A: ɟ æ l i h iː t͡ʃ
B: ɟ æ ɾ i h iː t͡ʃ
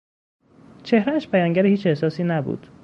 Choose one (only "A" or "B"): B